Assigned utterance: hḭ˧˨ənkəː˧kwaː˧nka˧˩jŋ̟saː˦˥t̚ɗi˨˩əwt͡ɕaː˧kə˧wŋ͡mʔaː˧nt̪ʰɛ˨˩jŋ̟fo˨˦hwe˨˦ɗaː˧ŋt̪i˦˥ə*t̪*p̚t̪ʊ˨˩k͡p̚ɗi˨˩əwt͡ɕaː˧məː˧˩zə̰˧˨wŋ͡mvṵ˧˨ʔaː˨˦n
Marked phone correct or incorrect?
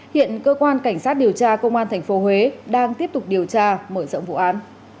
incorrect